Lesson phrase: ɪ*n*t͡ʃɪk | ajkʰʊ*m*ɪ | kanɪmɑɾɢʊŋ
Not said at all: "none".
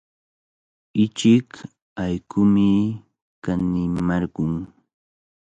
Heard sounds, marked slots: none, m

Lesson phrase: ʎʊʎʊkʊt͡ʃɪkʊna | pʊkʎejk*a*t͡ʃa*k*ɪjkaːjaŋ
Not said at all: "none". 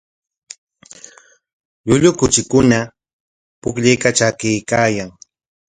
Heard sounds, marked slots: a, k

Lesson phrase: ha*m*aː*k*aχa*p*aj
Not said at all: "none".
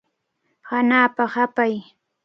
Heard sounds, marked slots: n, p, p

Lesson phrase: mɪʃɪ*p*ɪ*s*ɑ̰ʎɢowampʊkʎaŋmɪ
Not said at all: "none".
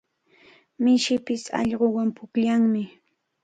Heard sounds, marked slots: p, s

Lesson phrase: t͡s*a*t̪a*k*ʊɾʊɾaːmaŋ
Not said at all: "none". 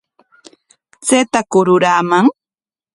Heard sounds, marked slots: e, k

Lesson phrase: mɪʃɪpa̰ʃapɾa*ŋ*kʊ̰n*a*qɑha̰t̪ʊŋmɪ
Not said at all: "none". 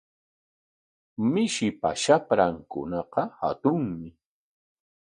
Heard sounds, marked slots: ŋ, ɑ

